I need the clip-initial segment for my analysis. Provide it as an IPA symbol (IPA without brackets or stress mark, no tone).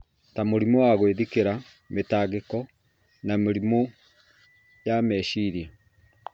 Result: t